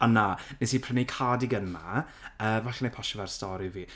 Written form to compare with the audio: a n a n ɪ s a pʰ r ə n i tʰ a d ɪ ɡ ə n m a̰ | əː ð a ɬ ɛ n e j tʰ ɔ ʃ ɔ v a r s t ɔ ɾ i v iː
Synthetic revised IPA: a n a n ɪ s i pʰ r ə n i kʰ a d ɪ ɡ ə n m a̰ | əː v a ɬ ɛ n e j pʰ ɔ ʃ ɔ v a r s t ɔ ɾ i v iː